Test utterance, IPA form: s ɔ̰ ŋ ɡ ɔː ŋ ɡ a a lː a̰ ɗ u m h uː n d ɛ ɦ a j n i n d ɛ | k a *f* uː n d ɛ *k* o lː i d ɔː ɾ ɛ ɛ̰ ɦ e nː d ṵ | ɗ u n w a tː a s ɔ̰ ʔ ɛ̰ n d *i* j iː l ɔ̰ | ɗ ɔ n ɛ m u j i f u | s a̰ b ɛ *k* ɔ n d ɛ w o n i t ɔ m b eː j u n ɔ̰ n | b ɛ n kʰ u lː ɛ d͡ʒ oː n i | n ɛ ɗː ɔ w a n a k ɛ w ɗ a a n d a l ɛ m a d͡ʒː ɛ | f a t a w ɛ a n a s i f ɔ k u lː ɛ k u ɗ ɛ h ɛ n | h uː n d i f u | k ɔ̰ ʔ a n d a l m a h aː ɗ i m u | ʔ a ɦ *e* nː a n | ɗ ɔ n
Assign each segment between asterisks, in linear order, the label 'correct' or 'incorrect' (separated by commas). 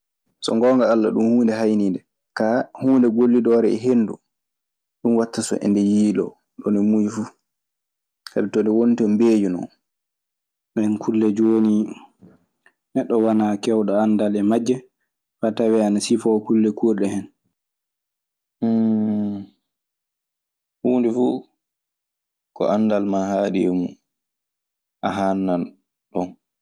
incorrect, incorrect, incorrect, incorrect, incorrect